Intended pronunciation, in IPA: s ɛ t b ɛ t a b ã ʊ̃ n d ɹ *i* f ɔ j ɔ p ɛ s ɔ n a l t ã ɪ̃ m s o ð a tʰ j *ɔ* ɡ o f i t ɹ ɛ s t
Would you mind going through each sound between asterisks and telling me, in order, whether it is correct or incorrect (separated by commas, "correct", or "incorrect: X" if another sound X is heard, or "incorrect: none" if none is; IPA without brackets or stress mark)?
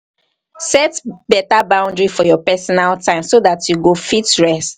correct, incorrect: u